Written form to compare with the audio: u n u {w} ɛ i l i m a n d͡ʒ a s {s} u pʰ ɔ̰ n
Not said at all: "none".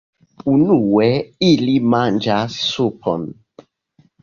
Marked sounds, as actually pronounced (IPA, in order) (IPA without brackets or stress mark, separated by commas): w, s